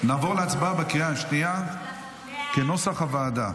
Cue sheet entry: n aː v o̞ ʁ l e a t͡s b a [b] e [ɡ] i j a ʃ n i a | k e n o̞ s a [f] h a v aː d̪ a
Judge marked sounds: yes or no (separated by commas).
yes, no, no